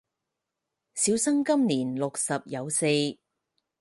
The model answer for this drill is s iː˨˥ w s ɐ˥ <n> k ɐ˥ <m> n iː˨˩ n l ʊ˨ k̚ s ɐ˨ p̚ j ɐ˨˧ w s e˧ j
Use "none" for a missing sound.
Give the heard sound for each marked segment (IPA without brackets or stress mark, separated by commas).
ŋ, m